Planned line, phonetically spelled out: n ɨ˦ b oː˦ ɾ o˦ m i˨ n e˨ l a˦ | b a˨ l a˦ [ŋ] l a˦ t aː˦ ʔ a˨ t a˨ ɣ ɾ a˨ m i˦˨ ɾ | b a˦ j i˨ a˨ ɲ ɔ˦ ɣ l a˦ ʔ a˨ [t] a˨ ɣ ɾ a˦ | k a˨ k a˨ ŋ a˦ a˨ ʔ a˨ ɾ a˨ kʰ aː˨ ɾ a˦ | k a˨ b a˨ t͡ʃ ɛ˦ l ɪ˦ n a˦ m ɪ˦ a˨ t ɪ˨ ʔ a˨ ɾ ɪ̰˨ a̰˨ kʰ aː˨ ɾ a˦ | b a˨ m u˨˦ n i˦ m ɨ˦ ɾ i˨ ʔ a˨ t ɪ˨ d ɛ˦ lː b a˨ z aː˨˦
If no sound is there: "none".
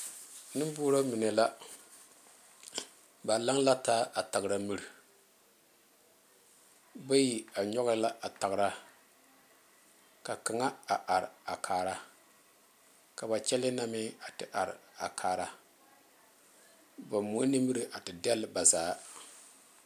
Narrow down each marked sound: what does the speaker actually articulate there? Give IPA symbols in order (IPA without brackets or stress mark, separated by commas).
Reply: ŋ, t